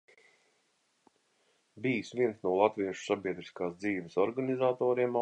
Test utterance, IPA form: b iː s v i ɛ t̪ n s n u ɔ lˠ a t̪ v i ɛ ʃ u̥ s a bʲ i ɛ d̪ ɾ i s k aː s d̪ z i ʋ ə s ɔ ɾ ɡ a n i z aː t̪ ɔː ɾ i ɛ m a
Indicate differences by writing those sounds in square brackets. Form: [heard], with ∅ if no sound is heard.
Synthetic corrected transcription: b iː s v i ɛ [∅] n s n u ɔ lˠ a t̪ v i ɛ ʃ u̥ s a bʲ i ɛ d̪ ɾ i s k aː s d̪ z [iː] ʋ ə s ɔ ɾ ɡ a n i z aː t̪ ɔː ɾ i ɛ m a